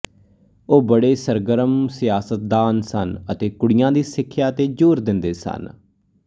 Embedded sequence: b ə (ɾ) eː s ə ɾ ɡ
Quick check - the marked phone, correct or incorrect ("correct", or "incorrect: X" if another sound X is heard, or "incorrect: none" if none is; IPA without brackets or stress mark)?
incorrect: ɽ